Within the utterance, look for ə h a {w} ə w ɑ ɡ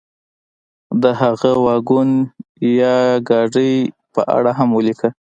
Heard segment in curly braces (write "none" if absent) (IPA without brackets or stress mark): ɣ